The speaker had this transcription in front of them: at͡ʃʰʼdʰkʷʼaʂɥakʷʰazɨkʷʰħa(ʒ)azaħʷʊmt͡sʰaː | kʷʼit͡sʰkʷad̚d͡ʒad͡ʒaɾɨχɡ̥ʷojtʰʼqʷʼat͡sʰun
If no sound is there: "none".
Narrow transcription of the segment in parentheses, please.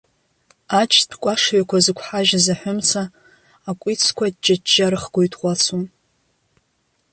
ʒ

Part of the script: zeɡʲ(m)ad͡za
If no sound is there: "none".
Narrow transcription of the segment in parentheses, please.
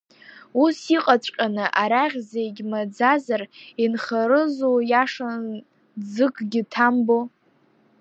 m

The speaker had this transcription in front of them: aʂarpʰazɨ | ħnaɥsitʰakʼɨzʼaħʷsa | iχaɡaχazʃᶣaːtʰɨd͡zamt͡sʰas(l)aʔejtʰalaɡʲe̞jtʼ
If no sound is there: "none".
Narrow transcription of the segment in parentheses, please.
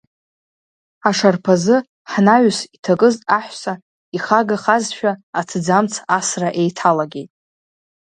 r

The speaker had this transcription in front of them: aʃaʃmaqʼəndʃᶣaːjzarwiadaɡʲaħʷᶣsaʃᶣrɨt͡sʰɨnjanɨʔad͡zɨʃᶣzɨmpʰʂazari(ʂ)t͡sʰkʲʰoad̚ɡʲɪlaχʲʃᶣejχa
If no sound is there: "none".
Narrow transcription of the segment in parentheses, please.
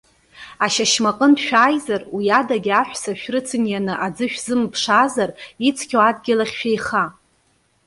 none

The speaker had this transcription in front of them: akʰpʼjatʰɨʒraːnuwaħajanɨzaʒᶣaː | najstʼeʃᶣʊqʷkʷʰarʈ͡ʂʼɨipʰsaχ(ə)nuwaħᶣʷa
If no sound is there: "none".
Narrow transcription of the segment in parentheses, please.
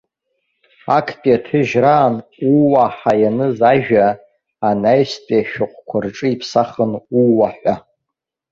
ə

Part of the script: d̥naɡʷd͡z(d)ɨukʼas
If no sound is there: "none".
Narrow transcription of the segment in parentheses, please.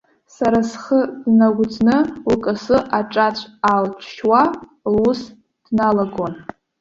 n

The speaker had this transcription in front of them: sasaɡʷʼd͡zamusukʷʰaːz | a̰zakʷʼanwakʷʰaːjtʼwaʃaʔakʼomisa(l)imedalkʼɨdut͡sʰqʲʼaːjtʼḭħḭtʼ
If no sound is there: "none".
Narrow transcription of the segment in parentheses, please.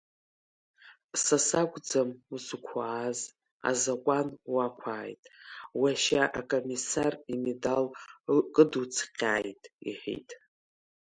r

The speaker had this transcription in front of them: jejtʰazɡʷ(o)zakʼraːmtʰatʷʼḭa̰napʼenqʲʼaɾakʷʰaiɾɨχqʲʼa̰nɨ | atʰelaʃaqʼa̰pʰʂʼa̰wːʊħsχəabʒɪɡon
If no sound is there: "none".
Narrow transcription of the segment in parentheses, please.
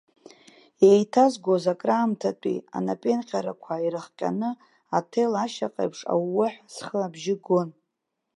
o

